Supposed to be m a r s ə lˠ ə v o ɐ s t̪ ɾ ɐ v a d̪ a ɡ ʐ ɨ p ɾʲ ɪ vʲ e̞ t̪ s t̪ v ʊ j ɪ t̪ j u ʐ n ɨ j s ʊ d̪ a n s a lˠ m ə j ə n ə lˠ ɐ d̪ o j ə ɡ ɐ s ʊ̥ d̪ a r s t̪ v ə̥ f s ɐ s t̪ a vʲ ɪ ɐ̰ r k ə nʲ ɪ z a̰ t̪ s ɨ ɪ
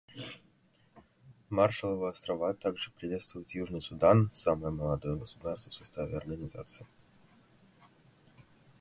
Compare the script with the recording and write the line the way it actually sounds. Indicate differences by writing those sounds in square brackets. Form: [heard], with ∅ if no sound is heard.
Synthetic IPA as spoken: m a r [ʂ] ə lˠ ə v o ɐ s t̪ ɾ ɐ v a [t̪] a ɡ ʐ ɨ p ɾʲ ɪ vʲ e̞ t̪ s t̪ v ʊ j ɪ t̪ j u ʐ n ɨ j s ʊ d̪ a n s a [∅] m ə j ə [m] ə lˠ ɐ d̪ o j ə ɡ [ə] s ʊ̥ d̪ a r s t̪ v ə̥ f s ɐ s t̪ a vʲ ɪ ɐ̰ r [ɡ] ə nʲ ɪ z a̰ t̪ s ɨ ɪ